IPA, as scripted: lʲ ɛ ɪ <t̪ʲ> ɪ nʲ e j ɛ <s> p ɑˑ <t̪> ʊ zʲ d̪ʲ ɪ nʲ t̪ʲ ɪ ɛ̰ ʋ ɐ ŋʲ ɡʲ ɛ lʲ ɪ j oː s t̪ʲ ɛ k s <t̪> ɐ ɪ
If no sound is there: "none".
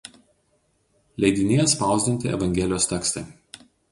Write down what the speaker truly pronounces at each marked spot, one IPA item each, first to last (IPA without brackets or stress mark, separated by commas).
d̪ʲ, s, none, t̪